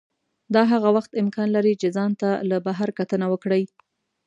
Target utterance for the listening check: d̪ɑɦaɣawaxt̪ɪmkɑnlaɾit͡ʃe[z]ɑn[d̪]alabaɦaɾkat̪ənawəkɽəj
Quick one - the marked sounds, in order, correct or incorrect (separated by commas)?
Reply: correct, incorrect